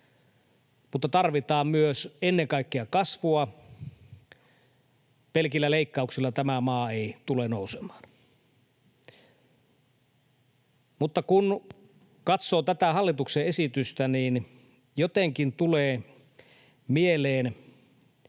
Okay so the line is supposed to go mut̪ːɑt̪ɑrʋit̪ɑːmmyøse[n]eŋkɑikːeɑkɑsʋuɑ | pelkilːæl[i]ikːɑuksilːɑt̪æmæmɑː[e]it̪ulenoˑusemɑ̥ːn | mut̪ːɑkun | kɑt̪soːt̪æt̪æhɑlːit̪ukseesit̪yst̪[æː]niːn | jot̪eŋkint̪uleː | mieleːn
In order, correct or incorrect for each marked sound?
incorrect: nː, incorrect: e, correct, incorrect: æ

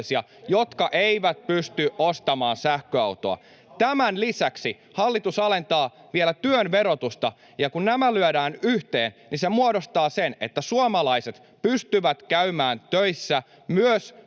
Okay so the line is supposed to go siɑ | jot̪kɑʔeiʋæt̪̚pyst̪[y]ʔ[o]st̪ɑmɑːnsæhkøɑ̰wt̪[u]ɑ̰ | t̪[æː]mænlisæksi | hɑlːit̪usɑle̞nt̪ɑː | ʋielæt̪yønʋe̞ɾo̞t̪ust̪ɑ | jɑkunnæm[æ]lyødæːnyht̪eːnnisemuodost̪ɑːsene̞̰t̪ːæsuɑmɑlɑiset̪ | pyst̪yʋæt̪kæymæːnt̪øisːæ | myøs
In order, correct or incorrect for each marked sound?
correct, correct, incorrect: o, incorrect: æ, correct

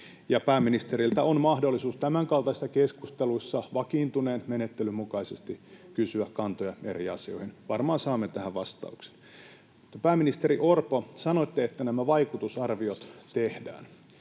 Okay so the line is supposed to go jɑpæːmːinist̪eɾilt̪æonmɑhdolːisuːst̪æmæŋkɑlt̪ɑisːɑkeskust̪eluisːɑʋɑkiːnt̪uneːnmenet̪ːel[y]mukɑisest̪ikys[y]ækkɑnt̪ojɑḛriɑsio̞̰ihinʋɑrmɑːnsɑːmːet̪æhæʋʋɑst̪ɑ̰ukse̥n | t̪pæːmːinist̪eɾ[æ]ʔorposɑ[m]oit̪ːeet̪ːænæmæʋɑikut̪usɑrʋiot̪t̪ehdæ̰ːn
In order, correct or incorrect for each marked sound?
correct, correct, incorrect: i, incorrect: n

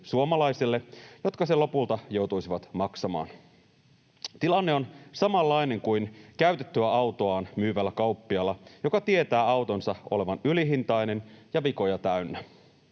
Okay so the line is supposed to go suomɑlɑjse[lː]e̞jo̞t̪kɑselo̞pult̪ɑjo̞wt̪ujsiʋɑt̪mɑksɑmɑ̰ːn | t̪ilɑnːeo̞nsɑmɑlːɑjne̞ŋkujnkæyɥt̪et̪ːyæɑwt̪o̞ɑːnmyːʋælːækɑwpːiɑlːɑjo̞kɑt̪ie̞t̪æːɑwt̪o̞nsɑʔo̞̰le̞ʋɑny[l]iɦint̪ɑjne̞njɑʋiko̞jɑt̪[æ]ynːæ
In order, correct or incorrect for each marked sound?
correct, correct, correct

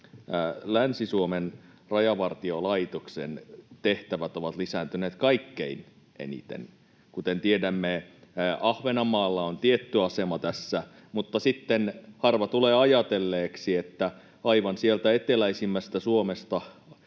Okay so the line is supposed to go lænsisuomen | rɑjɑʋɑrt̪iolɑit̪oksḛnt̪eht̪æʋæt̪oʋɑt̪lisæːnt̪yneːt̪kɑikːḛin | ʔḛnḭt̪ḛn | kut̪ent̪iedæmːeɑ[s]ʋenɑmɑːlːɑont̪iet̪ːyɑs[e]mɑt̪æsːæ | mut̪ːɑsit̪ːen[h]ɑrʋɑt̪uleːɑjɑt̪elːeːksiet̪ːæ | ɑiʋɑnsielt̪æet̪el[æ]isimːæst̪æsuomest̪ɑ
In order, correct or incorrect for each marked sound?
incorrect: h, correct, correct, correct

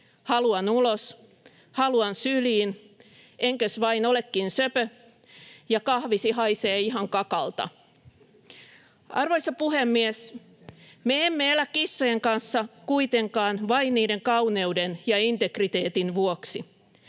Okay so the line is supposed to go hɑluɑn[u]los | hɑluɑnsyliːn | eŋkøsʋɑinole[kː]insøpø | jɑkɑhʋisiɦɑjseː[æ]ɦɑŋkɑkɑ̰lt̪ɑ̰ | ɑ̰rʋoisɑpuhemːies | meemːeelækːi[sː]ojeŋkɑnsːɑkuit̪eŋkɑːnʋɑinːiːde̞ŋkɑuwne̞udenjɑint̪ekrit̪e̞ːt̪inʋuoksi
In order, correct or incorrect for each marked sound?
correct, correct, incorrect: i, correct

